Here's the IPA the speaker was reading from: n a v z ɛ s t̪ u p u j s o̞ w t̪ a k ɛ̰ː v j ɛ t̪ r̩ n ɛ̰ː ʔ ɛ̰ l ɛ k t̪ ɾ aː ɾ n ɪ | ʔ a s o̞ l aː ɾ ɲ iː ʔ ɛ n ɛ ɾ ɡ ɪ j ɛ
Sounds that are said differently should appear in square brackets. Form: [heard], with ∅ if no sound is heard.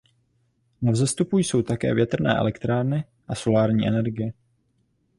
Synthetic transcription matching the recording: n a v z ɛ s t̪ u p u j s o̞ w t̪ a k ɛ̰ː v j ɛ t̪ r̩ n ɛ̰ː ʔ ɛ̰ l ɛ k t̪ ɾ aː ɾ n ɪ | ʔ a s o̞ l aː ɾ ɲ iː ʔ ɛ n ɛ ɾ ɡ ɪ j ɛ